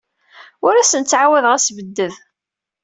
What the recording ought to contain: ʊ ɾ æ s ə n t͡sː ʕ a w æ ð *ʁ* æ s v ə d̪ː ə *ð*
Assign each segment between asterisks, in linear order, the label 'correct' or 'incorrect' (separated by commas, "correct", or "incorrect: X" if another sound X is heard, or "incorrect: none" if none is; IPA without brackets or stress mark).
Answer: correct, correct